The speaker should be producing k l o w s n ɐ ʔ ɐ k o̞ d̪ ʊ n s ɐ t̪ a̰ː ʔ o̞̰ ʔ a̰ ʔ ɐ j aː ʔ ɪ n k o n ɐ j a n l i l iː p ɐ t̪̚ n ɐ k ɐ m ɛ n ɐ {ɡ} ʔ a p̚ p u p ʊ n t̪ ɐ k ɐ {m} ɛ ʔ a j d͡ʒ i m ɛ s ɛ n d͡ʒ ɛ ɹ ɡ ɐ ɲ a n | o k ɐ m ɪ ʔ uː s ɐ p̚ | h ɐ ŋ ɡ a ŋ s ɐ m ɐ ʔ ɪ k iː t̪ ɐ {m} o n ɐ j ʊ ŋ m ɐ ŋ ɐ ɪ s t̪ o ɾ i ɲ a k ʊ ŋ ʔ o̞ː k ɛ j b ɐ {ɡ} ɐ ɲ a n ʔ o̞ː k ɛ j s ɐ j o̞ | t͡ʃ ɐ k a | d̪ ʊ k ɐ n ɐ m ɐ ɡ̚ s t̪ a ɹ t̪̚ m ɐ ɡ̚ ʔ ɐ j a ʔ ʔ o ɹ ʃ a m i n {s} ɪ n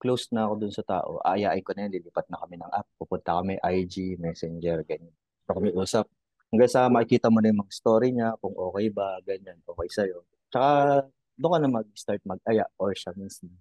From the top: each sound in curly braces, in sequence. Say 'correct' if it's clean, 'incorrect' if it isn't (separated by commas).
incorrect, correct, correct, correct, correct